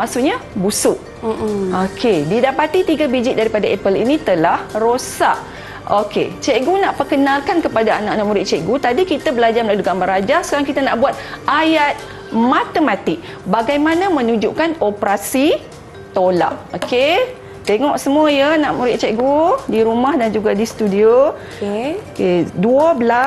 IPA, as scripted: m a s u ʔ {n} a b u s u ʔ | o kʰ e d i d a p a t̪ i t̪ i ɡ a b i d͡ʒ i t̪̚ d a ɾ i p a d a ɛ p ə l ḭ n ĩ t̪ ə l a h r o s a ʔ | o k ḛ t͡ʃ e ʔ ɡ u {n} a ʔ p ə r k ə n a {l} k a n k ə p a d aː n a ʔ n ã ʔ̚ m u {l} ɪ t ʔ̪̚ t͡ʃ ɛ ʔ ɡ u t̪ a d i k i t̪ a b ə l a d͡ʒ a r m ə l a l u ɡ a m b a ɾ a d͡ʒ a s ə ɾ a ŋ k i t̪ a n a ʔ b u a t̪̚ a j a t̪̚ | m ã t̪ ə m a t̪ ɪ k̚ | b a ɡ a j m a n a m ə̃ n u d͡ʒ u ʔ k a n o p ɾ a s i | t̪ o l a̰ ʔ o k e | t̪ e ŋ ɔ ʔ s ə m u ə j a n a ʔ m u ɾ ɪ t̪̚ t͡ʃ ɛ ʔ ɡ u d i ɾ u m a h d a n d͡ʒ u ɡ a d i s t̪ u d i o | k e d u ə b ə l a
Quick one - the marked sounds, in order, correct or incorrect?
incorrect, correct, correct, incorrect

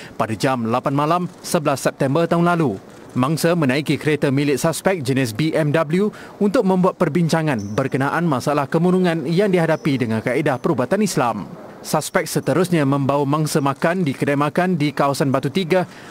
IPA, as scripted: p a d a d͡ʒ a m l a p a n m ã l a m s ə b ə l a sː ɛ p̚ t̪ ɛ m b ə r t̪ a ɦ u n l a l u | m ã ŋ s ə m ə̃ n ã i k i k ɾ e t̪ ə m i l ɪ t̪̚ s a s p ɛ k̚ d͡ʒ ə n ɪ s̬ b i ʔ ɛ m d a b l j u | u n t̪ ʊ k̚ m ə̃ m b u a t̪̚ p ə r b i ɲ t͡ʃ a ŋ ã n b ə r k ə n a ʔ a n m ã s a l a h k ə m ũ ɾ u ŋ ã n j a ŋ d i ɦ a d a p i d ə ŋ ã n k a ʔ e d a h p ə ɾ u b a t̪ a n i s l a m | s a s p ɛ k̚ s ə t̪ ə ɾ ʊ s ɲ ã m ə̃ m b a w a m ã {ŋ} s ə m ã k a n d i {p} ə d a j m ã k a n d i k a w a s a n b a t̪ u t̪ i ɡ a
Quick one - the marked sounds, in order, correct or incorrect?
correct, incorrect

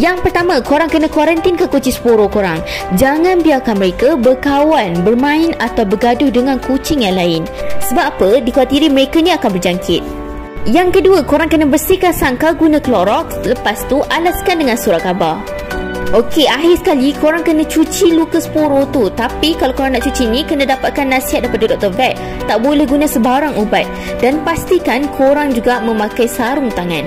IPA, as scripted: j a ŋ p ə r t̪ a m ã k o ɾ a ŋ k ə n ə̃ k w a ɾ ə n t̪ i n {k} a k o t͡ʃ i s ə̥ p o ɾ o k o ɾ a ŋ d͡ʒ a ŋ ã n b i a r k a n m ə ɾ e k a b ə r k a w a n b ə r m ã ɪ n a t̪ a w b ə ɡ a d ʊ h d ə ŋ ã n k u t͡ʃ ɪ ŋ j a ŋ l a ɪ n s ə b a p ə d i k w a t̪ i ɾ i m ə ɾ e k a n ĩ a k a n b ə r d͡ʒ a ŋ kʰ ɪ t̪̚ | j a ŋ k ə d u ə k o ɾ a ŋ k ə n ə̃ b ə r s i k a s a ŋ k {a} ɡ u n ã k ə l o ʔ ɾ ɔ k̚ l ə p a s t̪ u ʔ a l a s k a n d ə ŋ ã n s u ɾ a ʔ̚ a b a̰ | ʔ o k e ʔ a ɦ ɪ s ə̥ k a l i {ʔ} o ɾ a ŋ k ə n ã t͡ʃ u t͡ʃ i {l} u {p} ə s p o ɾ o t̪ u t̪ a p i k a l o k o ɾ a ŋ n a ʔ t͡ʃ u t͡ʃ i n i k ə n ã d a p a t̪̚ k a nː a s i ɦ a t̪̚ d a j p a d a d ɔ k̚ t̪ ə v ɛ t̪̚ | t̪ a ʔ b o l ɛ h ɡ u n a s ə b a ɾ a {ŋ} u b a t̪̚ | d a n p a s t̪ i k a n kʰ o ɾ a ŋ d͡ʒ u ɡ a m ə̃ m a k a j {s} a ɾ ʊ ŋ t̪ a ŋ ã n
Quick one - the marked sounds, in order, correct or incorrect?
correct, correct, incorrect, correct, incorrect, correct, correct

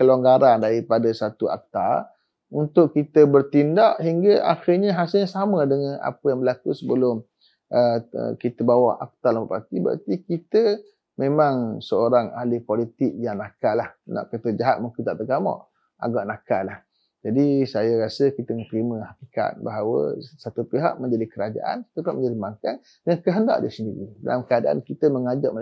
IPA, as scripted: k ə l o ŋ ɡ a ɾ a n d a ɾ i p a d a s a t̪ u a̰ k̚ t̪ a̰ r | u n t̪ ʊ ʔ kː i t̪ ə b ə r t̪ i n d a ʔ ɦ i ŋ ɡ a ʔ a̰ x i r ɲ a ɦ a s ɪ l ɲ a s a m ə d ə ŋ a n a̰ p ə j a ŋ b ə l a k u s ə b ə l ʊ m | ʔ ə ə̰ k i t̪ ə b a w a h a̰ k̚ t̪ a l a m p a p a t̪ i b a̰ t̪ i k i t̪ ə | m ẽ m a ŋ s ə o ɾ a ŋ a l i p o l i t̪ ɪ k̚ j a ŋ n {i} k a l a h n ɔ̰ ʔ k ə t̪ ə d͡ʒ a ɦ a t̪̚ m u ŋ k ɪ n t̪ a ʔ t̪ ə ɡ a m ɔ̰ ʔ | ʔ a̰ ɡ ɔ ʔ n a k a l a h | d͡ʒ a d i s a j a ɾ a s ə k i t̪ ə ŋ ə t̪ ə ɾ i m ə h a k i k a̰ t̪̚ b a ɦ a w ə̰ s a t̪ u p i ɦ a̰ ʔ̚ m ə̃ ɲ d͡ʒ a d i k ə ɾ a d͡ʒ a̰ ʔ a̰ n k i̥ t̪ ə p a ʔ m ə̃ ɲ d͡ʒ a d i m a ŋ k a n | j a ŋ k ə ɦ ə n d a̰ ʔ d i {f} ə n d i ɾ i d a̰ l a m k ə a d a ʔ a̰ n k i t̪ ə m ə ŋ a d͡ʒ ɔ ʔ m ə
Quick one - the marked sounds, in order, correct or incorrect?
incorrect, incorrect

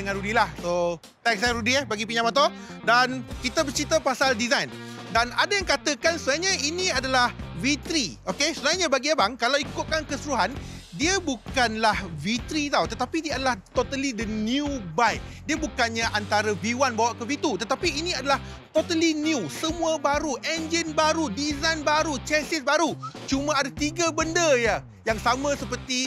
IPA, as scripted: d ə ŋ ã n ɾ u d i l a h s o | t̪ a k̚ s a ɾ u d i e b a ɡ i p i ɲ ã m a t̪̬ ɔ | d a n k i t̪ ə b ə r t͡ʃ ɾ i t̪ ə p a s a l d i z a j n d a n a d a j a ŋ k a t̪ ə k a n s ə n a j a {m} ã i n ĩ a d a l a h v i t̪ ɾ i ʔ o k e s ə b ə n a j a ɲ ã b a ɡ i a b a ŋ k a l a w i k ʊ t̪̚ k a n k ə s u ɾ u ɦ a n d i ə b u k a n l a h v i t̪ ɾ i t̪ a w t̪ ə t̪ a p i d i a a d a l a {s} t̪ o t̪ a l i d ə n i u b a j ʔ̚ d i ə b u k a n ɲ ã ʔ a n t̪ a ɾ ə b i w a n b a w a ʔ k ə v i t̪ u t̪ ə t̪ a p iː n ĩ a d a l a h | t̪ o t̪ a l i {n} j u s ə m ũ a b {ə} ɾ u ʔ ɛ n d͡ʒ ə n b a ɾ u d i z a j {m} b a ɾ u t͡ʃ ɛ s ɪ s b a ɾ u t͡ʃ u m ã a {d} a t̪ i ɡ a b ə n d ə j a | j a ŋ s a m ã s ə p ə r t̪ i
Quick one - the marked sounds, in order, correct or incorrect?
incorrect, incorrect, correct, incorrect, incorrect, correct

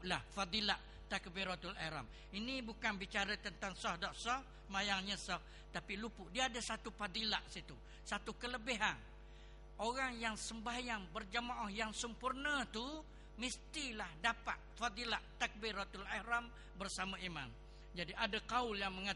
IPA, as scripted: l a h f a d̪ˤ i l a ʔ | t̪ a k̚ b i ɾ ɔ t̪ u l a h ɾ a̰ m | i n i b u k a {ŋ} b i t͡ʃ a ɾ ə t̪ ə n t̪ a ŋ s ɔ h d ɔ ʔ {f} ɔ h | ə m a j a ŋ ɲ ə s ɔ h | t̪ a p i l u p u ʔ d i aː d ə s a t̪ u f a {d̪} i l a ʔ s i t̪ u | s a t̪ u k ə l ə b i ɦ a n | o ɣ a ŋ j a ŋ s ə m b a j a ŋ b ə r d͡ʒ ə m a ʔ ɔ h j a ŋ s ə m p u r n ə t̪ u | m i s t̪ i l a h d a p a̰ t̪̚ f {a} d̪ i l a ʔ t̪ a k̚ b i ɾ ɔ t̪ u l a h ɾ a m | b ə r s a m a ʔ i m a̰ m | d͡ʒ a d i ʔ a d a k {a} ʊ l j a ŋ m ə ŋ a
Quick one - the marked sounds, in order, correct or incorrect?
incorrect, incorrect, correct, correct, correct

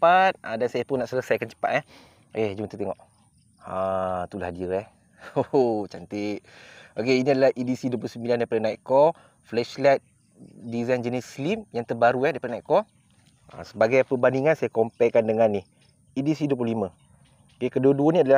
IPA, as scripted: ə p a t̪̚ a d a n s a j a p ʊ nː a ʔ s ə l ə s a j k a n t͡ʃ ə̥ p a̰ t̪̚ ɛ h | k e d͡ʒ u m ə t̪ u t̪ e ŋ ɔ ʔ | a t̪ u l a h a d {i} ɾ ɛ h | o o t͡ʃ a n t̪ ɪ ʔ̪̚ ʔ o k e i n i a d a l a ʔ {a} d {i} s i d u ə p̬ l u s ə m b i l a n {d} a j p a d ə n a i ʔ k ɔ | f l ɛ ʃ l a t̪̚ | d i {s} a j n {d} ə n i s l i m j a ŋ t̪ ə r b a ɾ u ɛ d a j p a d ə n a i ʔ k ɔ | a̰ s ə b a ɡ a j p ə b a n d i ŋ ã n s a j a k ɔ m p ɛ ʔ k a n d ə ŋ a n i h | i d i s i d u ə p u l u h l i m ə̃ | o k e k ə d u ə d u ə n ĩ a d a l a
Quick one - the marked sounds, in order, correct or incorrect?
correct, incorrect, correct, correct, incorrect, incorrect

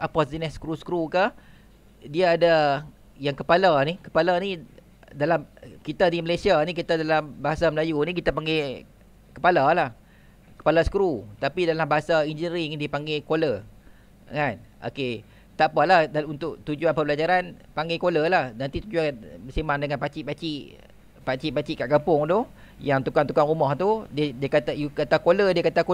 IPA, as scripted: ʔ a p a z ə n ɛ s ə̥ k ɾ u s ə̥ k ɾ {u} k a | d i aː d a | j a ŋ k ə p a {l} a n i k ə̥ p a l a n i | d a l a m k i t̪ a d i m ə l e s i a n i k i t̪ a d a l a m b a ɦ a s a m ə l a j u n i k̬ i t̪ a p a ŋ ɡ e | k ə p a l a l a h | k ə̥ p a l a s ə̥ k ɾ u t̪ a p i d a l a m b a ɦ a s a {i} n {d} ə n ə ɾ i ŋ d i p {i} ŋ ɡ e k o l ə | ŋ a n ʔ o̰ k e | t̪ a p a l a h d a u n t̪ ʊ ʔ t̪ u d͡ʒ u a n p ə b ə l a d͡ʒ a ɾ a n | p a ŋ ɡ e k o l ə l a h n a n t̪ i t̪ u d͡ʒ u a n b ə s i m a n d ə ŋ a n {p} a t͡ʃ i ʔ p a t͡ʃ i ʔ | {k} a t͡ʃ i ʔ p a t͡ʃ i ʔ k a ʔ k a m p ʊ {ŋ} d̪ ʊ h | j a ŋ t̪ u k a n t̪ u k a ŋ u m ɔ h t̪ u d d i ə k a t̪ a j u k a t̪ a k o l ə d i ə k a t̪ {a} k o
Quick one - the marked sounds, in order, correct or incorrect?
correct, correct, correct, incorrect, incorrect, correct, incorrect, correct, correct

